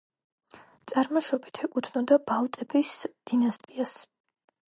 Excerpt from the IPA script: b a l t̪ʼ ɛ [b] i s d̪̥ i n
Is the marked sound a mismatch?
no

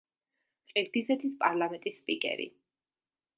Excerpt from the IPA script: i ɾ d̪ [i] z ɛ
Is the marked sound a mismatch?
no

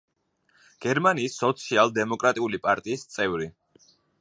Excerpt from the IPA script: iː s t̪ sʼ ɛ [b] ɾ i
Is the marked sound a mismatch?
yes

